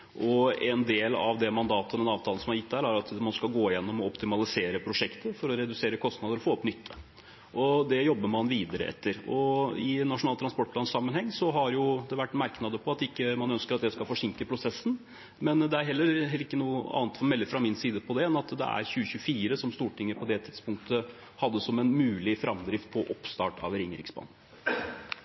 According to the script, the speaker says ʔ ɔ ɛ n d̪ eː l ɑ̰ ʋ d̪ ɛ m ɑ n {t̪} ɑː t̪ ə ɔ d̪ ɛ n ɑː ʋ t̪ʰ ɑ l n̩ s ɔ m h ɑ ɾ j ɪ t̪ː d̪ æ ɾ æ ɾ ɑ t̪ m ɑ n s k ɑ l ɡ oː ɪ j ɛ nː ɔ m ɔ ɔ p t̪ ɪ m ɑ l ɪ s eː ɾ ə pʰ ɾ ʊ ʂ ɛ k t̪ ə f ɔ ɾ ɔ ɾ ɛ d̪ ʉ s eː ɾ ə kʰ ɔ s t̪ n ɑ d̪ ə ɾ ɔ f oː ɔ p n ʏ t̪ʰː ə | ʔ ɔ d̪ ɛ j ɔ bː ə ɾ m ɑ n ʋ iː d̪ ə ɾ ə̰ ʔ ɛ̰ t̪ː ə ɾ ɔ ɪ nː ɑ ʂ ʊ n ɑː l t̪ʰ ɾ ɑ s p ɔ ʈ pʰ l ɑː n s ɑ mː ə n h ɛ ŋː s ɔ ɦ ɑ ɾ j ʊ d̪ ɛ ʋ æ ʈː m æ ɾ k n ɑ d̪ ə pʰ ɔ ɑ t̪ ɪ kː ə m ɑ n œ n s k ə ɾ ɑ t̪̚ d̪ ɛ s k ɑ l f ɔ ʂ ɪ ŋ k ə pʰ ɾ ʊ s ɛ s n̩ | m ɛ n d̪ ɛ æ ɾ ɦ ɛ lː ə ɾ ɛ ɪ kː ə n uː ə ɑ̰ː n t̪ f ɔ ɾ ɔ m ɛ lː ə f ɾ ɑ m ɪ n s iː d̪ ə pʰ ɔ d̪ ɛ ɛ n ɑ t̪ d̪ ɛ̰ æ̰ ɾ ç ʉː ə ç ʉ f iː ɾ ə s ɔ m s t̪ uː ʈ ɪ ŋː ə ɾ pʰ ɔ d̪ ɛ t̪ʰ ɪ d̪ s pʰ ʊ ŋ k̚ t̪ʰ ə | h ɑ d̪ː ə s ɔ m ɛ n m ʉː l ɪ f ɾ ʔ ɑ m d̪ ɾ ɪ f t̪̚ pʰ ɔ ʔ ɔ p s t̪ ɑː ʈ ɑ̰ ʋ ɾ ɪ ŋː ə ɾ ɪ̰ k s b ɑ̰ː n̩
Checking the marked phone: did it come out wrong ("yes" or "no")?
yes